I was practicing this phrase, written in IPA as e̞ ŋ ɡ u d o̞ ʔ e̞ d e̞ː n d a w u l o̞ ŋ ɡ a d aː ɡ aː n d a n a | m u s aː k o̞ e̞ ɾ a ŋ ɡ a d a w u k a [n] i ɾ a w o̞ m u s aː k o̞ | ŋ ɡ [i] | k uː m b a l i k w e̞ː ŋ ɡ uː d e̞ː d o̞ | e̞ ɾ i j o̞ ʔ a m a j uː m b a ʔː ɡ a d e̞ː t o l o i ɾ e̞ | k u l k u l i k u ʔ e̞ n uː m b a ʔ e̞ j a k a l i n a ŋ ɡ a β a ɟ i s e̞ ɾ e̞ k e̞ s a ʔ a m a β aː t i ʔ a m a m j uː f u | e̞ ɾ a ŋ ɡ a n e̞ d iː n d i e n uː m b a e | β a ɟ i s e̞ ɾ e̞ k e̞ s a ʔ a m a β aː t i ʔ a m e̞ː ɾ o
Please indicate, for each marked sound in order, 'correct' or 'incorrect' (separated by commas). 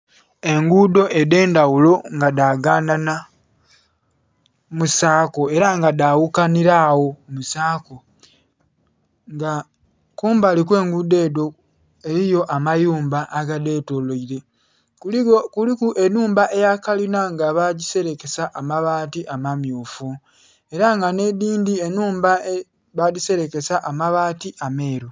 correct, incorrect